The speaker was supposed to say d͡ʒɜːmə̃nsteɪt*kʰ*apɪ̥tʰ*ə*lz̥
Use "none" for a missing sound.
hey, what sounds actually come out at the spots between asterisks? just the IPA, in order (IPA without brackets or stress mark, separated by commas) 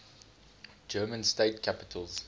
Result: kʰ, ə